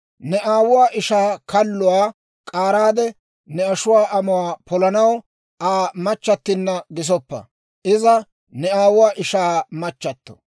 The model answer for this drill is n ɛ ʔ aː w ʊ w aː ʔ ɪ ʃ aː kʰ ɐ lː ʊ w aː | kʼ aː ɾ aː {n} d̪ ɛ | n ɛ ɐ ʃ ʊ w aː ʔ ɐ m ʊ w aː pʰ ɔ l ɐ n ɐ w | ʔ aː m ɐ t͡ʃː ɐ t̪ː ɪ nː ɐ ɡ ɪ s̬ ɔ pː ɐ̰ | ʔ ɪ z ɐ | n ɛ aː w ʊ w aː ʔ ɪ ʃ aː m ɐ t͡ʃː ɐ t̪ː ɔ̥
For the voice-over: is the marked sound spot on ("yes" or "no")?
no